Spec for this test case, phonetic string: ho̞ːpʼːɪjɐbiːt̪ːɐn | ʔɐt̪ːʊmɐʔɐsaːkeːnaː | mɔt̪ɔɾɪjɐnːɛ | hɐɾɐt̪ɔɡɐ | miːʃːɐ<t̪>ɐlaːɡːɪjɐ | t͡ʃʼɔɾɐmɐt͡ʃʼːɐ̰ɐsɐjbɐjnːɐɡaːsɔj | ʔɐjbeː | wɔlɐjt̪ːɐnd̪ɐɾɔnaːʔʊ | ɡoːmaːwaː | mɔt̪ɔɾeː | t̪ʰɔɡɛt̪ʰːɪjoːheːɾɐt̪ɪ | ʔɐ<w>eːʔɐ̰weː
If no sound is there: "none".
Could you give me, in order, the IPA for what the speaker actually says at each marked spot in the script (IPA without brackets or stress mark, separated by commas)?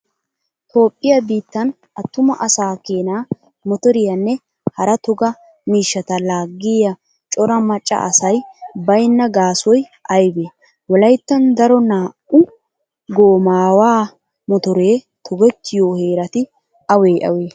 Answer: t̪, w